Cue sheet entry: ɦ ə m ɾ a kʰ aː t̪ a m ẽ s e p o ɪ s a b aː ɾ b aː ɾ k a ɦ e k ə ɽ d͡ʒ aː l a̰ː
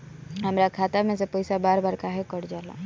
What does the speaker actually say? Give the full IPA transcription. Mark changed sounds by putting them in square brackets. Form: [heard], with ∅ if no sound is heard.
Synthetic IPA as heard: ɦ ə m ɾ a kʰ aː t̪ a m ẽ s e p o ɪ s a b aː ɾ b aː ɾ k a ɦ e k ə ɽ d͡ʒ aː l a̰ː